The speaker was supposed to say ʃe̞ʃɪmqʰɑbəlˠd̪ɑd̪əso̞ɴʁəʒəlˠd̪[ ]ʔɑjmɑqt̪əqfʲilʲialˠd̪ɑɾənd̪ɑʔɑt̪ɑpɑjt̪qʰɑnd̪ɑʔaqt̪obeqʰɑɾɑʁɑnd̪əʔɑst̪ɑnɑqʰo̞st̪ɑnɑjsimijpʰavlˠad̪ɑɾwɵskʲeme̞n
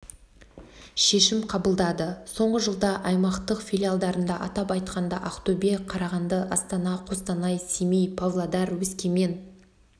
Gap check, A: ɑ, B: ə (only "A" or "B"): A